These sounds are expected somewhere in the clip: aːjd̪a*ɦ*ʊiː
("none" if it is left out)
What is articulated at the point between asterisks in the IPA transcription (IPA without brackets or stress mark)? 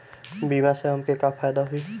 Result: ɦ